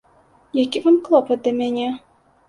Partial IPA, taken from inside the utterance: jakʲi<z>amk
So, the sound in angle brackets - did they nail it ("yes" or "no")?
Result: no